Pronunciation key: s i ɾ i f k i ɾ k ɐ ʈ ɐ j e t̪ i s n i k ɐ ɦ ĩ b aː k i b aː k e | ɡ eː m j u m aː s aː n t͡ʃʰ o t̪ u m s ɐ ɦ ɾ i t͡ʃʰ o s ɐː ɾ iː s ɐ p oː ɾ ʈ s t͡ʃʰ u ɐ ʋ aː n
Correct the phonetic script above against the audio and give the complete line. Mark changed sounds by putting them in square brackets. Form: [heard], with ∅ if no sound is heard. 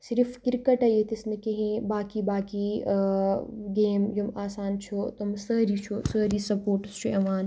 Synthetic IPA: s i ɾ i f k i ɾ k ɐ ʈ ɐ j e t̪ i s n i k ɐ ɦ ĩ b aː k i b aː k [i] | ɡ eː m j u m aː s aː n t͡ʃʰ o t̪ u m s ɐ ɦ ɾ i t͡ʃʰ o s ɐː ɾ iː s ɐ p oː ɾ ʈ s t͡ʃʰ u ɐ ʋ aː n